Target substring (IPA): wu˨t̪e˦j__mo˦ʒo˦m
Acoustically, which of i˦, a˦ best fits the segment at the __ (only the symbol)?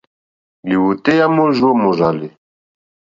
a˦